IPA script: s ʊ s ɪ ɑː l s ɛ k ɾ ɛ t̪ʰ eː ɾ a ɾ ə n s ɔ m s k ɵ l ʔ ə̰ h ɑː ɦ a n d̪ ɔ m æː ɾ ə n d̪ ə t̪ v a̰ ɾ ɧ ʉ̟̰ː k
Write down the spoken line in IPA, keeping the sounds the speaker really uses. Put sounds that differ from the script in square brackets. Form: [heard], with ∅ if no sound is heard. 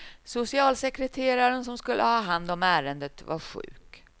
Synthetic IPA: s ʊ s ɪ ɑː l s ɛ k ɾ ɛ t̪ʰ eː ɾ a ɾ ə n s ɔ m s k ɵ l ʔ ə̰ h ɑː ɦ a n d̪ ɔ m æː ɾ ə n d̪ ə t̪ v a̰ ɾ ɧ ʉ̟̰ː k